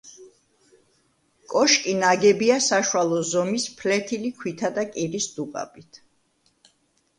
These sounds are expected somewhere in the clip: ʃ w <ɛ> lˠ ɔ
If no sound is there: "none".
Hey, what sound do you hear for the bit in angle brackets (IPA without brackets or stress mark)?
a